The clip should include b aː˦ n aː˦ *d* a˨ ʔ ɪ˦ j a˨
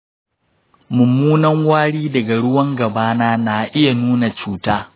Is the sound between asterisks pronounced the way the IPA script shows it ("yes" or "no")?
no